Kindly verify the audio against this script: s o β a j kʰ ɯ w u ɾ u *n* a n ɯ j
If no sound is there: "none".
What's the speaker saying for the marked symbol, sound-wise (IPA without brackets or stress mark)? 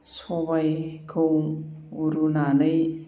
n